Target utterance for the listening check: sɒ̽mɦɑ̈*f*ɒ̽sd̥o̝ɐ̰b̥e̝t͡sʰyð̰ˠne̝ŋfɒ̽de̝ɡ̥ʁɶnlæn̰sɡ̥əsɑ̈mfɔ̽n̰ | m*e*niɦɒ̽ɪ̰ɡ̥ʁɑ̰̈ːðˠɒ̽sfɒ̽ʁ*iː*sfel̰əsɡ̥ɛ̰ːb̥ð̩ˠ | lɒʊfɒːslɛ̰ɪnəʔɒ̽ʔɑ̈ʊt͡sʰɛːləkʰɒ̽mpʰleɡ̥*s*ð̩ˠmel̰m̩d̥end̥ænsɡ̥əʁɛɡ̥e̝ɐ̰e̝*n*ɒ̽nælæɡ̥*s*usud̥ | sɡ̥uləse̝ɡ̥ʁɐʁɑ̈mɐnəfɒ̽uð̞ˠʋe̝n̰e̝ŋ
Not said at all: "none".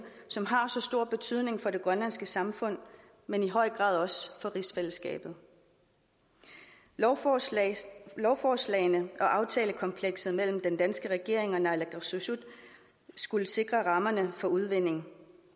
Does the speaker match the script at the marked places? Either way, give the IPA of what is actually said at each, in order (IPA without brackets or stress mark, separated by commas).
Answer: s, e, i, s, ŋ, s